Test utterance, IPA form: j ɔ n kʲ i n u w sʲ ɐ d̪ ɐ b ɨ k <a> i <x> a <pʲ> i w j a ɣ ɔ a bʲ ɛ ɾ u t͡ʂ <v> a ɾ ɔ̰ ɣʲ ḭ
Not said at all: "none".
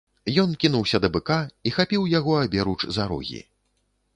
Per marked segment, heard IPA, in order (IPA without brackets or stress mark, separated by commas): a, x, pʲ, z